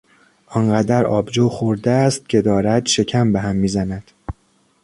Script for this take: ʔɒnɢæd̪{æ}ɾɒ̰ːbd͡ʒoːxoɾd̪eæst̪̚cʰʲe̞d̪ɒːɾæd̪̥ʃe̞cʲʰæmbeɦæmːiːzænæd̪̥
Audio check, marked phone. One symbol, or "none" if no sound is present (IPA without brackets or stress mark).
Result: æ